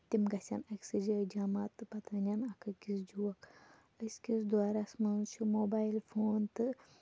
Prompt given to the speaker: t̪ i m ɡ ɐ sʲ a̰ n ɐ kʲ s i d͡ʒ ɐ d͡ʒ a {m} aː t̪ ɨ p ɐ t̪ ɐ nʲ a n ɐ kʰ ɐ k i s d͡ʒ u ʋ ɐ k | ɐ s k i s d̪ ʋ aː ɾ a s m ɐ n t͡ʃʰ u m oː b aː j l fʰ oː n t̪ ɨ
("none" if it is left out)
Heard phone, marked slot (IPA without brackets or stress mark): m